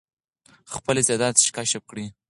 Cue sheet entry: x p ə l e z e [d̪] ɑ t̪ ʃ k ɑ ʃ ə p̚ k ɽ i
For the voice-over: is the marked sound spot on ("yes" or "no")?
yes